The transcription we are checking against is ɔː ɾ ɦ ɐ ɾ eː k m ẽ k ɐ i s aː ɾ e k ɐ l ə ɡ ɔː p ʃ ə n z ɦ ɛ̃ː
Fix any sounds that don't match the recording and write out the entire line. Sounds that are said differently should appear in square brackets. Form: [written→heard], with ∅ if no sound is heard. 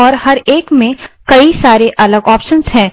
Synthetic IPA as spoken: ɔː ɾ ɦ ɐ ɾ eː k m ẽ k ɐ i s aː ɾ e [k→ʔ] ɐ l ə ɡ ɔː p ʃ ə n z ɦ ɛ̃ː